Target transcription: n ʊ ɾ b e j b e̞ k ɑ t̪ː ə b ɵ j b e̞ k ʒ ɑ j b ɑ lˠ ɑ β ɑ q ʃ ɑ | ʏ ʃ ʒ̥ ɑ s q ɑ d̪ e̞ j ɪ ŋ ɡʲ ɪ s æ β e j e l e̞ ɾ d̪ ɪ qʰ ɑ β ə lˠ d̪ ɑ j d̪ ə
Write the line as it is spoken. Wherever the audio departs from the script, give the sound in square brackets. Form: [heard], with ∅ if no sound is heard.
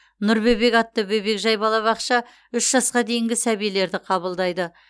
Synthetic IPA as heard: n ʊ ɾ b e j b e̞ k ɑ t̪ː ə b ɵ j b e̞ k ʒ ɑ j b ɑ lˠ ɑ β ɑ q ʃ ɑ | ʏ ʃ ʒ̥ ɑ s q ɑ d̪ e̞ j ɪ ŋ ɡʲ ɪ s æ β [i] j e l e̞ ɾ d̪ ɪ qʰ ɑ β ə lˠ d̪ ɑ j d̪ ə